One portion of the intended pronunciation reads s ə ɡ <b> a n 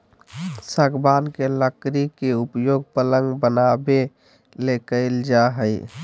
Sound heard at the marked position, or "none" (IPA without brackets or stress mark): b